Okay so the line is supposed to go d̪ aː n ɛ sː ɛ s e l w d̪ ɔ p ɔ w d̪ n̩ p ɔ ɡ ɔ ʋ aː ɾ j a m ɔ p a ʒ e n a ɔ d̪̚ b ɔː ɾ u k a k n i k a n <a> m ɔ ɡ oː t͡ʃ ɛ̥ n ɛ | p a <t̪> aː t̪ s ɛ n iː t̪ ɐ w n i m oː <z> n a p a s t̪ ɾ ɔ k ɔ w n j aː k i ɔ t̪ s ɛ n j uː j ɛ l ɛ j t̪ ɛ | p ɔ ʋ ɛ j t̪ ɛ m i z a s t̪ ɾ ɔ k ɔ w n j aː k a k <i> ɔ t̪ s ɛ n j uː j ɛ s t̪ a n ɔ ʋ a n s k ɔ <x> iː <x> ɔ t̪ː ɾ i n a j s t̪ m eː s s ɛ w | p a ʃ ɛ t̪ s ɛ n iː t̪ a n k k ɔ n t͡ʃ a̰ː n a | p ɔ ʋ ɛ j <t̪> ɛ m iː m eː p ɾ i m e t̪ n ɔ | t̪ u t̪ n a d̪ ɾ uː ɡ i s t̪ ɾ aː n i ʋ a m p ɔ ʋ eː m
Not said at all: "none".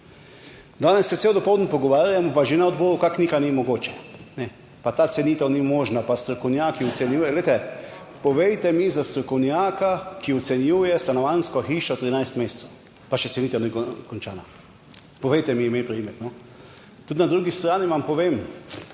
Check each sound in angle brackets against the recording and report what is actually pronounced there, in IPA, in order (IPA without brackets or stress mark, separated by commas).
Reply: i, t̪, ʒ, i, x, ʃ, t̪